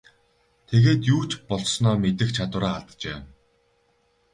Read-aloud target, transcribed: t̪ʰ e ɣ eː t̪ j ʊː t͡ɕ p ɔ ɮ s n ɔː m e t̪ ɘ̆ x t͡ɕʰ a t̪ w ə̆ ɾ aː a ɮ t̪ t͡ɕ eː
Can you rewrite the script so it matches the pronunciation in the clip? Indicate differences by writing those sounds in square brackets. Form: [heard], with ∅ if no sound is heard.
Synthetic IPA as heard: t̪ʰ e ɣ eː t̪ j [uː] t͡ɕ p ɔ ɮ s n ɔː m e t̪ ɘ̆ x t͡ɕʰ a t̪ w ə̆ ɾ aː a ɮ t̪ t͡ɕ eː

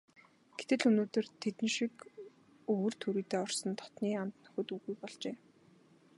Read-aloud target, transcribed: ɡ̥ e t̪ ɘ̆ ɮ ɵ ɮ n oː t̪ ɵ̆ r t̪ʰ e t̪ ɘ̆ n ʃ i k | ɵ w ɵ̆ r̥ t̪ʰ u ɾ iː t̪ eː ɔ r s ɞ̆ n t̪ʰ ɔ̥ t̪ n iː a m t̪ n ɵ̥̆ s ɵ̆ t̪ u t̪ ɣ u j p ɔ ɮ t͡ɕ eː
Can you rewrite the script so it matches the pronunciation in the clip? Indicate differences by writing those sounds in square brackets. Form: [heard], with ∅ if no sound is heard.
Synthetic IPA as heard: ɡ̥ e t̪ ɘ̆ ɮ ɵ [∅] n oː t̪ ɵ̆ r t̪ʰ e t̪ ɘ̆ n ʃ i k | ɵ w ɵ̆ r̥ t̪ʰ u ɾ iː t̪ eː ɔ r s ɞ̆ n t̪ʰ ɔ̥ t̪ n iː a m t̪ n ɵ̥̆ [x] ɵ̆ t̪ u [∅] ɣ u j p ɔ ɮ t͡ɕ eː

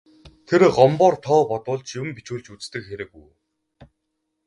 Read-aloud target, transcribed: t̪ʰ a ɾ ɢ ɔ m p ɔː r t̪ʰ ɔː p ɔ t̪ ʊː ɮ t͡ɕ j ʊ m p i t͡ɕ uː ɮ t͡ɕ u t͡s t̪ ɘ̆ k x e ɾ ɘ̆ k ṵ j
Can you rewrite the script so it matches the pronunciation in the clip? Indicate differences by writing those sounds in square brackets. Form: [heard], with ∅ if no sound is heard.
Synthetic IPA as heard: t̪ʰ [e] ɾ ɢ ɔ m p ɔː r t̪ʰ ɔː p ɔ t̪ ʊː ɮ t͡ɕ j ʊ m p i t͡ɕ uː ɮ t͡ɕ u t͡s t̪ ɘ̆ k x e ɾ ɘ̆ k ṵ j

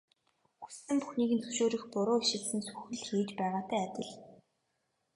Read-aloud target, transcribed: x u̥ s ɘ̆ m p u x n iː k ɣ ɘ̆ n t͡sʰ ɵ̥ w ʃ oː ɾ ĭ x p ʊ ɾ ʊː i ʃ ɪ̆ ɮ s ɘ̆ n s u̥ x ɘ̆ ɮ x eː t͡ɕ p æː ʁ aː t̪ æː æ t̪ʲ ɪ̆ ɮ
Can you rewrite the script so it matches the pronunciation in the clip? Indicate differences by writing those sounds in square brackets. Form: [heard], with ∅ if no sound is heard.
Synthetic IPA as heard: x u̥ s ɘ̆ m p u x n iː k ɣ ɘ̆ n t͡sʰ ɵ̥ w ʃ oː ɾ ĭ x p ʊ ɾ ʊː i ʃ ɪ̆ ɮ s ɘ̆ n s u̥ x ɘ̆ ɮ x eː t͡ɕ p æː ʁ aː t̪ æː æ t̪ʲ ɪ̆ ɮ

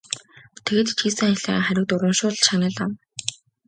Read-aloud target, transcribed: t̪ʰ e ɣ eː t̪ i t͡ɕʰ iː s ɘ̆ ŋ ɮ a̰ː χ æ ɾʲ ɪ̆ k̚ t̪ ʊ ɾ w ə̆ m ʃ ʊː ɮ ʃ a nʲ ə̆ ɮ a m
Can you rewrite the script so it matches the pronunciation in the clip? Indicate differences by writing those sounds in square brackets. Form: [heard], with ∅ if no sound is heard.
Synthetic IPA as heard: t̪ʰ e ɣ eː t̪ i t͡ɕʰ iː s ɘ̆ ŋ ɮ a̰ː χ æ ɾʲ ɪ̆ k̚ t̪ ʊ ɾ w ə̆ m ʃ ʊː ɮ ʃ a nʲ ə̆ ɮ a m

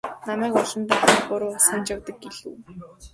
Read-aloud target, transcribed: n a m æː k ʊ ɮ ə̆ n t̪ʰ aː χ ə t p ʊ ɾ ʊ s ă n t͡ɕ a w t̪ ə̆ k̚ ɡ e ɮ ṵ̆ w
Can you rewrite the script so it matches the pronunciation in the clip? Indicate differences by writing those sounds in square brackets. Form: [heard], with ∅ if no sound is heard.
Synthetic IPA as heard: n a m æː k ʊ ɮ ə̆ n [t̪] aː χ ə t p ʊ ɾ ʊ s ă n t͡ɕ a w t̪ ə̆ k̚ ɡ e ɮ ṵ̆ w

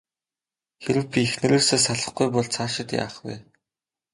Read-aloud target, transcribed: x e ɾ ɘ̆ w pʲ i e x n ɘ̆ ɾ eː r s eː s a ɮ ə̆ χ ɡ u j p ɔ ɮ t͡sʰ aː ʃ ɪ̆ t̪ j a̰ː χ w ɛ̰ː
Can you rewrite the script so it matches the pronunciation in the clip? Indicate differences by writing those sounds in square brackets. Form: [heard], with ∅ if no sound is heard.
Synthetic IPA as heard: x e ɾ ɘ̆ w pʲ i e x n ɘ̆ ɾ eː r s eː s a ɮ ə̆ χ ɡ u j p ɔ ɮ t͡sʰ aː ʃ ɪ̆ t̪ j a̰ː χ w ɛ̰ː

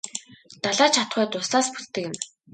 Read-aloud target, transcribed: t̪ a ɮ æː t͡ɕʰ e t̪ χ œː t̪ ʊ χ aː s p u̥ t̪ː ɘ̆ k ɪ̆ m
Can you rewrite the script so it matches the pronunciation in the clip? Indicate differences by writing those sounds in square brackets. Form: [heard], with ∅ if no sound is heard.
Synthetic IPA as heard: t̪ a ɮ [aː] t͡ɕʰ [a] t̪ χ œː t̪ ʊ [s] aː s p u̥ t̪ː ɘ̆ k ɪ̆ m

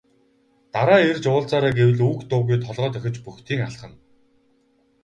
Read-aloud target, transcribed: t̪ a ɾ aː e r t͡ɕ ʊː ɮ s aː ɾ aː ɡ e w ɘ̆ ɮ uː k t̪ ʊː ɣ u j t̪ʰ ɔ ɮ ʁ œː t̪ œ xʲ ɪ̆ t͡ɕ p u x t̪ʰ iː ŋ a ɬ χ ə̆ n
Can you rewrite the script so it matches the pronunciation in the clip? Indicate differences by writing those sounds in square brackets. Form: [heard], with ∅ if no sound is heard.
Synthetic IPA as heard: t̪ a ɾ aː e r t͡ɕ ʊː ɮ [t͡s] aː ɾ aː ɡ e w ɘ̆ ɮ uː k t̪ ʊː ɣ u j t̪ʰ ɔ ɮ ʁ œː t̪ œ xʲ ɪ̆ t͡ɕ p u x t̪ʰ iː ŋ a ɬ χ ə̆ n

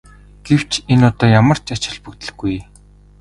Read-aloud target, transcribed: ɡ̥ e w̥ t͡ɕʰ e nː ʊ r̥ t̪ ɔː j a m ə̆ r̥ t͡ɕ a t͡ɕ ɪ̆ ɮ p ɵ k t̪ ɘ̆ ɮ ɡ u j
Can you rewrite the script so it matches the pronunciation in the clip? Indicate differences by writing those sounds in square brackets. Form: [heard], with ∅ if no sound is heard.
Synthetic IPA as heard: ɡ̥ e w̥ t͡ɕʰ e [n] ʊ [∅] t̪ ɔː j a m ə̆ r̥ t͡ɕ a t͡ɕ ɪ̆ ɮ p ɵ k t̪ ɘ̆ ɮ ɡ u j

